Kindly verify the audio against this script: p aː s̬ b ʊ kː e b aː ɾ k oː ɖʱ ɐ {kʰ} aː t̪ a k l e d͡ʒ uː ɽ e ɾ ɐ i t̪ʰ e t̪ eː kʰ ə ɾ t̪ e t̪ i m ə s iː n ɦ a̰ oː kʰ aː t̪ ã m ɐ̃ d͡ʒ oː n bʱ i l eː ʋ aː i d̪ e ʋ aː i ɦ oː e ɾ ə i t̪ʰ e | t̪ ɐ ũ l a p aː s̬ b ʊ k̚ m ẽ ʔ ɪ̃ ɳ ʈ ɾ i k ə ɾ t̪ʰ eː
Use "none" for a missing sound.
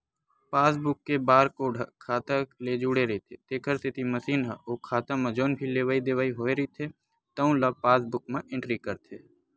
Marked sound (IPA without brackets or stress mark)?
kʰ